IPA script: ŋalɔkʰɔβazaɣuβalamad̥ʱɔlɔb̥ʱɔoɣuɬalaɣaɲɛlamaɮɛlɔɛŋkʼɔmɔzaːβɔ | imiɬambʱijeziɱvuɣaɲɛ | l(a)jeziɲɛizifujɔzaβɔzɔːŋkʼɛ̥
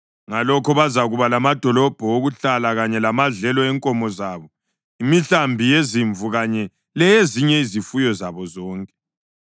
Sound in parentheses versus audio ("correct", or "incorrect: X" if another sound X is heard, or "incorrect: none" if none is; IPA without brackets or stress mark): incorrect: ɛ